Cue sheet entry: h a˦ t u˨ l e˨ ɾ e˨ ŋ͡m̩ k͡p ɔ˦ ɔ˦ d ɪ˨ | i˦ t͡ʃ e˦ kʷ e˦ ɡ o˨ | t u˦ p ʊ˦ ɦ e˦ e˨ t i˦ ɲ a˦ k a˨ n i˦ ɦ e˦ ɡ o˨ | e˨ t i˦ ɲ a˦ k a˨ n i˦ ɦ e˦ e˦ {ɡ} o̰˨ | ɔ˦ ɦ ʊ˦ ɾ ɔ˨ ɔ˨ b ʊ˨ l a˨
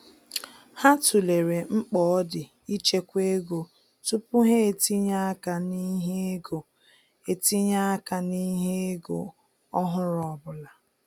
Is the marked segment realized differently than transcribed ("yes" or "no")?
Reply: no